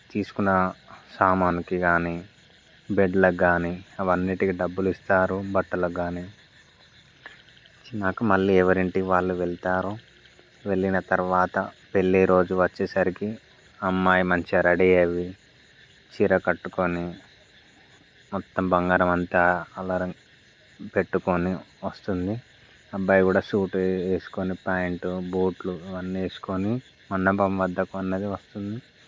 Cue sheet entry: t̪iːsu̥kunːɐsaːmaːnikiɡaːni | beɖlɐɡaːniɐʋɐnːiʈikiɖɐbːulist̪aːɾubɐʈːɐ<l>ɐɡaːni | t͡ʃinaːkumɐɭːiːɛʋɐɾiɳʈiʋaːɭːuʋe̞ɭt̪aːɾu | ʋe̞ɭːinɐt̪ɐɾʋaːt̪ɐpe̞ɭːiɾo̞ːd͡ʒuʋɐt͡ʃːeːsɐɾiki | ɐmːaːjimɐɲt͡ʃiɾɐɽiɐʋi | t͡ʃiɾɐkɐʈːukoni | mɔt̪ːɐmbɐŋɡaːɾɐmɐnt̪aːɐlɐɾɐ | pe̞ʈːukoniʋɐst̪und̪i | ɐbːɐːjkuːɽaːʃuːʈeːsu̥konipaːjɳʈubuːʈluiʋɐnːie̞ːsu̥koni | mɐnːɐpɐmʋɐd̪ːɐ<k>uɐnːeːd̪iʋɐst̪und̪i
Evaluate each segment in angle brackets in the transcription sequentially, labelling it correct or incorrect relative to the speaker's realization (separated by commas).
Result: correct, correct